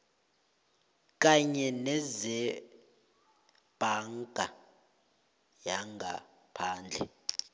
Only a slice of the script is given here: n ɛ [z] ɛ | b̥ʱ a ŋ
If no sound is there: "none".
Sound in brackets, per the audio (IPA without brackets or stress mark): z